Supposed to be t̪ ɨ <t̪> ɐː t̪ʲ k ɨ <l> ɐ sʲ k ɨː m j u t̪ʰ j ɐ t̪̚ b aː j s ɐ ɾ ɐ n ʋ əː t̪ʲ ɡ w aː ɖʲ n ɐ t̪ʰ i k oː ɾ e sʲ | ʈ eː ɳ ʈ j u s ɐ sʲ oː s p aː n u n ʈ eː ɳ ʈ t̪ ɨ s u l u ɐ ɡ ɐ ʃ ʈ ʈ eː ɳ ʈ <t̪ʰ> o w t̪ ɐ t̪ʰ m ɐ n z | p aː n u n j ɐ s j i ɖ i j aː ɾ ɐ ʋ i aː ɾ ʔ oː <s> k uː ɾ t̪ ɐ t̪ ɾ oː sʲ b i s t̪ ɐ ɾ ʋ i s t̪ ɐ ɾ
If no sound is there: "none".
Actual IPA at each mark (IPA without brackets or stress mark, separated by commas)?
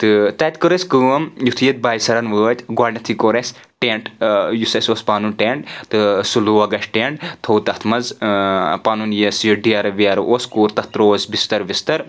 t̪, ɾ, t̪ʰ, s